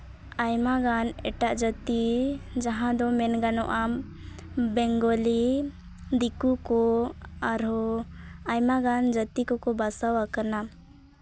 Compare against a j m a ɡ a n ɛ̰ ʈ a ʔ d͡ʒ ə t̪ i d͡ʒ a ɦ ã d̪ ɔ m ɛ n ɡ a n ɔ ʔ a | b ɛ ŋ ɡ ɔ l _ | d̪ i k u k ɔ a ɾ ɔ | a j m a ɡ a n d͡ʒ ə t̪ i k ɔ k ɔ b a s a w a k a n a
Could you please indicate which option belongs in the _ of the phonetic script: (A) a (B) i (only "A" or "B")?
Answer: B